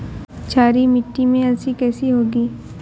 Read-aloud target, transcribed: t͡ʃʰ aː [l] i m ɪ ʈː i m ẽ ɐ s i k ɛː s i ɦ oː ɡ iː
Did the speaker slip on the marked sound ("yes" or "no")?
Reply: yes